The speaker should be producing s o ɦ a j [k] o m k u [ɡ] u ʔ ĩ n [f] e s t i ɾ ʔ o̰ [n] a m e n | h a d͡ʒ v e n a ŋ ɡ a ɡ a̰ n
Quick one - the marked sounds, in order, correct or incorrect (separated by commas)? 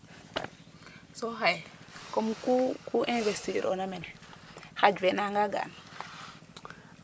correct, incorrect, incorrect, correct